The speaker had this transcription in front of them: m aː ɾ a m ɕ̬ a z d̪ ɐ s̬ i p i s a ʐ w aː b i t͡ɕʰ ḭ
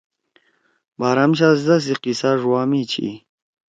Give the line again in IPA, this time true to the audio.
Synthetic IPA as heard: b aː ɾ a m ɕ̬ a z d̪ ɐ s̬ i q i s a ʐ w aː m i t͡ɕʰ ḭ